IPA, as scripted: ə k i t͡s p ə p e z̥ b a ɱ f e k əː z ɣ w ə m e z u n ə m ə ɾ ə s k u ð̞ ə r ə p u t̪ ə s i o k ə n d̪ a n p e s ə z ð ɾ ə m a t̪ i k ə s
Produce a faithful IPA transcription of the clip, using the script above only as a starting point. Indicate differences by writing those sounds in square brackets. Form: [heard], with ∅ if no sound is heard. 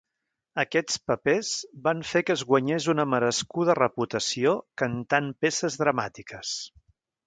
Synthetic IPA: ə k [ɛ] t͡s p ə p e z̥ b a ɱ f e k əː z ɣ w ə [ɲ] e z u n ə m ə ɾ ə s k u ð̞ ə r ə p u t̪ ə s i o k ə n [t̪] a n p e s ə z ð ɾ ə m a t̪ i k ə s